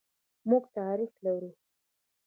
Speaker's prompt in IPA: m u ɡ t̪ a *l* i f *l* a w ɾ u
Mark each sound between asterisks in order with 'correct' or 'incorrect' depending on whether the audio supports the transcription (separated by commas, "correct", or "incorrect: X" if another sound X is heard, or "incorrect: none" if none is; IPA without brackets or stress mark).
incorrect: ɾ, correct